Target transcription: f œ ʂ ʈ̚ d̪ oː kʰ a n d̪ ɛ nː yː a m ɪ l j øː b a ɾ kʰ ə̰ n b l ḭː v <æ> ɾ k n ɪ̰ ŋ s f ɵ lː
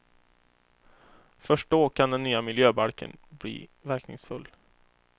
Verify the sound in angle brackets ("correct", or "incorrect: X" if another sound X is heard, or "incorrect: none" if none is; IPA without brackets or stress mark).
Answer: correct